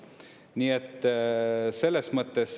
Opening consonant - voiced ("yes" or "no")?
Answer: yes